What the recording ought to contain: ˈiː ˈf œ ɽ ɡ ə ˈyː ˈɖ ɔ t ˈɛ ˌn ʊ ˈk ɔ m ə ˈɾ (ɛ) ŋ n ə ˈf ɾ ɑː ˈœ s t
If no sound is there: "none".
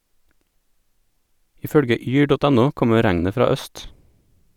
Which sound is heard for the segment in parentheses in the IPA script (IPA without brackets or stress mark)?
æ